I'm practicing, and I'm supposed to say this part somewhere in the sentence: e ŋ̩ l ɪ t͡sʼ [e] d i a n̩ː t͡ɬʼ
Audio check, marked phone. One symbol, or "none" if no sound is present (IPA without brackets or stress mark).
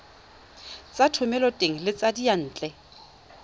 a